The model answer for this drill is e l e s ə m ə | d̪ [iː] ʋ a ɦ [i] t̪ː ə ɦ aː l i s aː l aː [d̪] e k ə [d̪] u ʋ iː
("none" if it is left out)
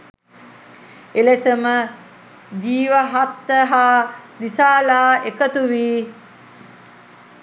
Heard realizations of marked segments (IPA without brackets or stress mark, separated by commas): iː, a, none, t̪